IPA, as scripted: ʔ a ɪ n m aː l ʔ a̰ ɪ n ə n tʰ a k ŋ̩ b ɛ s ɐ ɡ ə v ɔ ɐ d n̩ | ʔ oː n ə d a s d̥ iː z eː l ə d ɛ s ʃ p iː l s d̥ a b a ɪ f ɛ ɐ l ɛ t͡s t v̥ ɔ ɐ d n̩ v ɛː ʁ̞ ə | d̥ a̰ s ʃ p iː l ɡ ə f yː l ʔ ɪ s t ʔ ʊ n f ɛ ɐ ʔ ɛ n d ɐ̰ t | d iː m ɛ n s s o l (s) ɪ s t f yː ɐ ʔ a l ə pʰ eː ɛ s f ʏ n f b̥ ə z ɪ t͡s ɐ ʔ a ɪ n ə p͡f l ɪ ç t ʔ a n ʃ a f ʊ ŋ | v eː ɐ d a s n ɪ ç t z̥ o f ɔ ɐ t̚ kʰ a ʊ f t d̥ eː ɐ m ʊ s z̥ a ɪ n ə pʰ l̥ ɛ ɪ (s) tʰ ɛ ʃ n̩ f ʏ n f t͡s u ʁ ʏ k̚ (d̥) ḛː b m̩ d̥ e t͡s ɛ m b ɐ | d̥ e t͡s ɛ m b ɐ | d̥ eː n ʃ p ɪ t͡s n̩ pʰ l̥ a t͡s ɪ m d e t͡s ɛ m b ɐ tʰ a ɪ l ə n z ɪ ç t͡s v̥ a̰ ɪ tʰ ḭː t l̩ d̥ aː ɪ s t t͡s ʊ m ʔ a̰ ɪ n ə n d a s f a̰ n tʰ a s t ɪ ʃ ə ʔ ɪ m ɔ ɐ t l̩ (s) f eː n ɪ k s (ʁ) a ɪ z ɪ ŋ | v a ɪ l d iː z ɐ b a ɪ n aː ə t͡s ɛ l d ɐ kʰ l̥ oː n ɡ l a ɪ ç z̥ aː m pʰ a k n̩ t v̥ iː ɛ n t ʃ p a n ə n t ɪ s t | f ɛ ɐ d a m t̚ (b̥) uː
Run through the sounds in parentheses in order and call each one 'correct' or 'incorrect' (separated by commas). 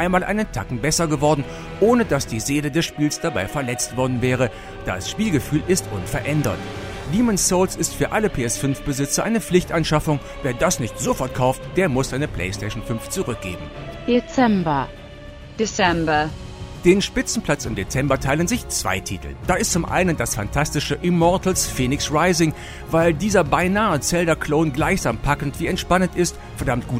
correct, correct, incorrect, correct, correct, incorrect